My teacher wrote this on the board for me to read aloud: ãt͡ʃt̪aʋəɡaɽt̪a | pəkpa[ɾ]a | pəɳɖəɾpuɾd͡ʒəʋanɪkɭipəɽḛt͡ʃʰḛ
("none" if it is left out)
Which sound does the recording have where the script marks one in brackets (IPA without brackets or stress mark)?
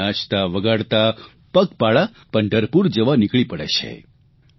ɭ